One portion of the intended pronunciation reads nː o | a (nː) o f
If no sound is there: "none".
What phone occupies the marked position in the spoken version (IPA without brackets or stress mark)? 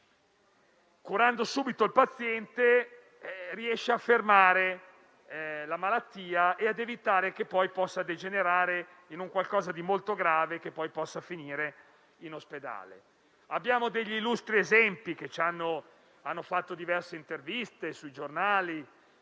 nː